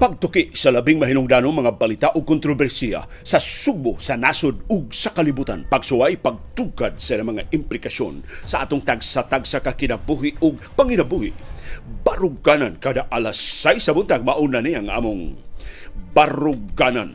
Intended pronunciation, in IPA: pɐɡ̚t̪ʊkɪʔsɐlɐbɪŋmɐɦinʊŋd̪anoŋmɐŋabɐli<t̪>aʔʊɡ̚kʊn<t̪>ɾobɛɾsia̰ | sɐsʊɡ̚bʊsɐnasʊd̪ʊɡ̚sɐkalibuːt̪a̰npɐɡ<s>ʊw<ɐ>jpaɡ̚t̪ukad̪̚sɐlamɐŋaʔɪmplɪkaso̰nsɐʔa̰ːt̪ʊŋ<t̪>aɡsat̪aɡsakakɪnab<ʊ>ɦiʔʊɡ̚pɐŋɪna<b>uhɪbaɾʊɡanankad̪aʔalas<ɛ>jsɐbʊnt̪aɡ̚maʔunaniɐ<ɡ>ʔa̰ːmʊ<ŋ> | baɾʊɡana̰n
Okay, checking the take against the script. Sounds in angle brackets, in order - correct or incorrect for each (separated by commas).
correct, correct, correct, incorrect, correct, incorrect, correct, incorrect, incorrect, correct